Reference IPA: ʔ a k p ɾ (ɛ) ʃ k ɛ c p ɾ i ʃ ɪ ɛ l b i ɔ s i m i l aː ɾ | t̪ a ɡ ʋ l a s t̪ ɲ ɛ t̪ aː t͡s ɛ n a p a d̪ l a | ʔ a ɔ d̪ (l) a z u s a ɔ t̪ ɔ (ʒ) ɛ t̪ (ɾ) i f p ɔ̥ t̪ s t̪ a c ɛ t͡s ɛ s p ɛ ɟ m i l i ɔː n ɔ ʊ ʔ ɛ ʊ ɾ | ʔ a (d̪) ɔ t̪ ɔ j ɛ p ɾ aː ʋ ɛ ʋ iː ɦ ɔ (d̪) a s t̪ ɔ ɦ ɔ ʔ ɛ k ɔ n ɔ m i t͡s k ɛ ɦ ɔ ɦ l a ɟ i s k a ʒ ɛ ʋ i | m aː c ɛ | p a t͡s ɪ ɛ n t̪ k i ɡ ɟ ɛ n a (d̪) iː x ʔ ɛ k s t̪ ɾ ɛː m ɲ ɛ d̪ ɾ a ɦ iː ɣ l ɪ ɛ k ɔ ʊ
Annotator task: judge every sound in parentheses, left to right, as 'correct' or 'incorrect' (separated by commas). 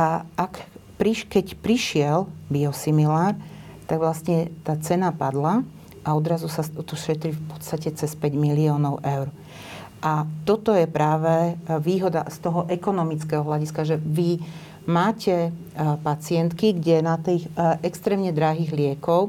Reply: incorrect, incorrect, incorrect, correct, incorrect, correct, incorrect